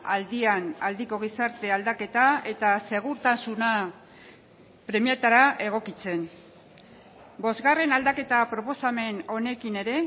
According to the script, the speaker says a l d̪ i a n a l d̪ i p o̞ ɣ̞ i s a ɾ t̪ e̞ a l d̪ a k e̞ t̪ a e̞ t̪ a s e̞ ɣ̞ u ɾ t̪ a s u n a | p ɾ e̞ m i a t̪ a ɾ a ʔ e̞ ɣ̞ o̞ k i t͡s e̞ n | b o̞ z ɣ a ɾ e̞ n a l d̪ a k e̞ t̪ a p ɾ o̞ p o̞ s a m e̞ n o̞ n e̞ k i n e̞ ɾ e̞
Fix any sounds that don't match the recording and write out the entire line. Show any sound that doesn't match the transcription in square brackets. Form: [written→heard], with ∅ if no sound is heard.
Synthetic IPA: a l d̪ i a n a l d̪ i [p→k] o̞ ɣ̞ i s a ɾ t̪ e̞ a l d̪ a k e̞ t̪ a e̞ t̪ a s e̞ ɣ̞ u ɾ t̪ a s u n a | p ɾ e̞ m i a t̪ a ɾ a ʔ e̞ ɣ̞ o̞ k i t͡s e̞ n | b o̞ z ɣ a [ɾ→r] e̞ n a l d̪ a k e̞ t̪ a p ɾ o̞ p o̞ s a m e̞ n o̞ n e̞ k i n e̞ ɾ e̞